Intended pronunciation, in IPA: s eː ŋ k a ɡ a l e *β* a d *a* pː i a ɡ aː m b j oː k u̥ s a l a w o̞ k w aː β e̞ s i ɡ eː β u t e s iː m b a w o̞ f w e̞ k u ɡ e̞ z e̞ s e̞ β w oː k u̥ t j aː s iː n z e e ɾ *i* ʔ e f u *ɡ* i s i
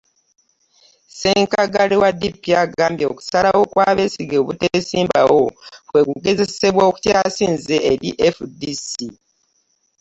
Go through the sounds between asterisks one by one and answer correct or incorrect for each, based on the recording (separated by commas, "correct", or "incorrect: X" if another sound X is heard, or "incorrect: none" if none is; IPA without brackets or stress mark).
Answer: incorrect: w, incorrect: i, correct, incorrect: d